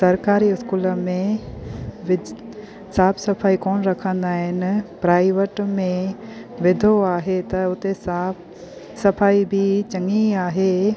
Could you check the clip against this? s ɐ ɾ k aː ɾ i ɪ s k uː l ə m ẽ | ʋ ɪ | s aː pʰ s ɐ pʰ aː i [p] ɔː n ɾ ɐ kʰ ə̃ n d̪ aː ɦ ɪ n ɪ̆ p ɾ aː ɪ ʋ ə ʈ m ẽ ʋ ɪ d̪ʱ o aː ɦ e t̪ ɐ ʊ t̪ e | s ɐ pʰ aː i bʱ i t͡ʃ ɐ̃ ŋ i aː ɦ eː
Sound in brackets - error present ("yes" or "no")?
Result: yes